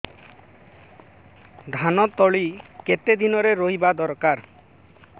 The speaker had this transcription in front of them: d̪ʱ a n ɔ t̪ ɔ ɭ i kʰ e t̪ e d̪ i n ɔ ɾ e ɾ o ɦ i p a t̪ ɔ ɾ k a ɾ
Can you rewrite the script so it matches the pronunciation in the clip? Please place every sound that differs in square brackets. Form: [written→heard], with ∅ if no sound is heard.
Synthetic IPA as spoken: d̪ʱ a n ɔ t̪ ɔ ɭ i [kʰ→k] e t̪ e d̪ i n ɔ ɾ e ɾ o ɦ i [p→b] a [t̪→d̪] ɔ ɾ k a ɾ